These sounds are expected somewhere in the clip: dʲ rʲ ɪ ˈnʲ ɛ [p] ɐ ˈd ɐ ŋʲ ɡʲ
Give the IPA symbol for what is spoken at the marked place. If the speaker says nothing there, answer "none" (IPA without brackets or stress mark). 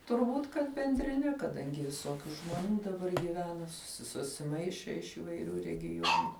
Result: k